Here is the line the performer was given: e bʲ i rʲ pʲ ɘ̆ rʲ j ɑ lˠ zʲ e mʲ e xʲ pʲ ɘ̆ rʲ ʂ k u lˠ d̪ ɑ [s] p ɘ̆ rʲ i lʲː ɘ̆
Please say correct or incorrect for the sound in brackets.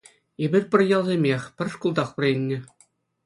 incorrect